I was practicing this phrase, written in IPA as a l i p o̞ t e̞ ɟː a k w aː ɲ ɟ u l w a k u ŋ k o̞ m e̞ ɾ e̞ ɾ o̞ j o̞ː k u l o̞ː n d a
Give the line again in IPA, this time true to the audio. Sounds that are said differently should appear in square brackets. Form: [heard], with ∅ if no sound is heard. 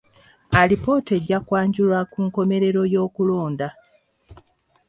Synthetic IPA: a l i p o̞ t e̞ ɟː a k w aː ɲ ɟ u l w a k u ŋ k o̞ m e̞ ɾ e̞ ɾ o̞ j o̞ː k u l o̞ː n d a